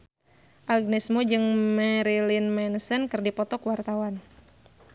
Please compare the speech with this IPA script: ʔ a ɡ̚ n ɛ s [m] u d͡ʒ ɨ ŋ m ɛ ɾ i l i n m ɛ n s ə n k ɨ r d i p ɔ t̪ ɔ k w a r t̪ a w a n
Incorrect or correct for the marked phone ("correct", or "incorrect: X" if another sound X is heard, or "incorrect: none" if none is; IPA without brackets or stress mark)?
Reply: correct